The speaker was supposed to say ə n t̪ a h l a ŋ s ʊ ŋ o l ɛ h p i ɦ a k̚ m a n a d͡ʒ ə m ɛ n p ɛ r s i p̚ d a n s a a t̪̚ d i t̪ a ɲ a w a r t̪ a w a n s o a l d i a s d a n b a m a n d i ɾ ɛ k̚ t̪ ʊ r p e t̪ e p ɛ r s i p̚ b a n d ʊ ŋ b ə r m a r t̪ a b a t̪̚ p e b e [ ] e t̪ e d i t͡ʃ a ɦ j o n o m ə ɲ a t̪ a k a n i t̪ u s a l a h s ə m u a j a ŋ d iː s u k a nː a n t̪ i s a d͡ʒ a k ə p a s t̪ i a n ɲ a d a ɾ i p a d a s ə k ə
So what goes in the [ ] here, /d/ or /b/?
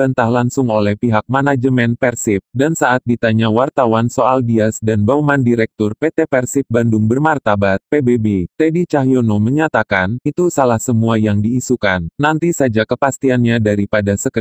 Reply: b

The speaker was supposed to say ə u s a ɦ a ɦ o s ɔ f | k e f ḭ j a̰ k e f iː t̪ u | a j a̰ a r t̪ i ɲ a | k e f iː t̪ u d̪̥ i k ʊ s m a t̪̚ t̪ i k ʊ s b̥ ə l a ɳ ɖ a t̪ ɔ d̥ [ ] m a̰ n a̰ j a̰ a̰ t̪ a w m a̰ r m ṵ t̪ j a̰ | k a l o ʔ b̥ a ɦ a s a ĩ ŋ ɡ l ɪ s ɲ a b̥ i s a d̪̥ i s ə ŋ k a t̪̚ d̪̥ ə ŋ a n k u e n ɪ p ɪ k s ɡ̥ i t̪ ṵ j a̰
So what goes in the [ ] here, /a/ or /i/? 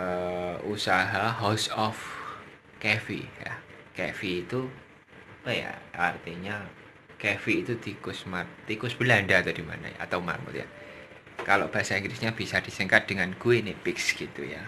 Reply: i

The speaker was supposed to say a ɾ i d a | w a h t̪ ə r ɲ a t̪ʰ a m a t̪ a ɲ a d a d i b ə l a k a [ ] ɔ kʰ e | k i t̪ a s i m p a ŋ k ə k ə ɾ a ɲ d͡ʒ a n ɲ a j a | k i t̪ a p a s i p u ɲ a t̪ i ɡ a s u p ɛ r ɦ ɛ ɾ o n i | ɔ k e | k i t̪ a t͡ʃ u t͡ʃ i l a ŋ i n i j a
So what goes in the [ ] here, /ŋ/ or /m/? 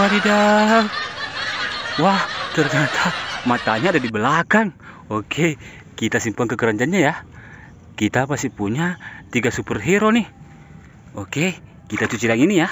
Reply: ŋ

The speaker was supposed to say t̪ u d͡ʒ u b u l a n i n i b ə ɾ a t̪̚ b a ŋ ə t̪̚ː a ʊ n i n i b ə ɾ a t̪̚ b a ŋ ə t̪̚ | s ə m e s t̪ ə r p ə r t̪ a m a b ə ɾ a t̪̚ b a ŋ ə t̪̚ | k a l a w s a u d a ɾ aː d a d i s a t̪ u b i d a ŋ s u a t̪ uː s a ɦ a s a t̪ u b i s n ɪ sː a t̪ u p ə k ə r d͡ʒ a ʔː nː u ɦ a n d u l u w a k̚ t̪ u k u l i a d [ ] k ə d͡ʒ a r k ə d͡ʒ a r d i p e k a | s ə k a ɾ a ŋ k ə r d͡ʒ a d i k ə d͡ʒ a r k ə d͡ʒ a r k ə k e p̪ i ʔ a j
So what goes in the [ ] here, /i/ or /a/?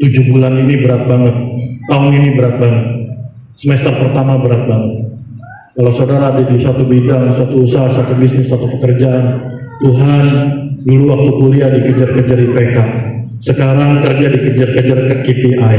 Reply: i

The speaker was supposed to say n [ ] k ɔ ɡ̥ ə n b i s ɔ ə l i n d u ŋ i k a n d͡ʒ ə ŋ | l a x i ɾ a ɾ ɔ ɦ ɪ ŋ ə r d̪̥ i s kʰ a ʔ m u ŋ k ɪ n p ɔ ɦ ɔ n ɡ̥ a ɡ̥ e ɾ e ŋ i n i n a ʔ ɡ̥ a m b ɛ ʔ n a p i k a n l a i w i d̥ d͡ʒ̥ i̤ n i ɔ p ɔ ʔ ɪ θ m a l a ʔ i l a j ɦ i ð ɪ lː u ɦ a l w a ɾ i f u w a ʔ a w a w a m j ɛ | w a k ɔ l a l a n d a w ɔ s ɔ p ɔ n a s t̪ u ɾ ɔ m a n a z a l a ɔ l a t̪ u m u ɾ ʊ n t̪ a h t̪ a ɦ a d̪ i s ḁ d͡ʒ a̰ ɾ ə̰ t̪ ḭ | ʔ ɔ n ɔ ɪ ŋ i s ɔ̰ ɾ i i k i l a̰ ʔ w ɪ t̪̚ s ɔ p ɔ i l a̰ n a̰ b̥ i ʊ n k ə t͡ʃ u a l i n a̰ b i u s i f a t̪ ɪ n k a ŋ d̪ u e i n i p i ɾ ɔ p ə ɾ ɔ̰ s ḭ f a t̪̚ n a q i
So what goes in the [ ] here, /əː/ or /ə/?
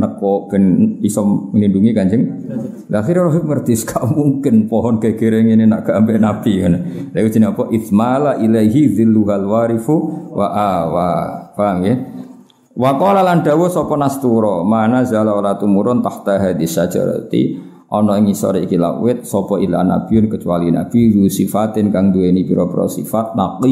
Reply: ə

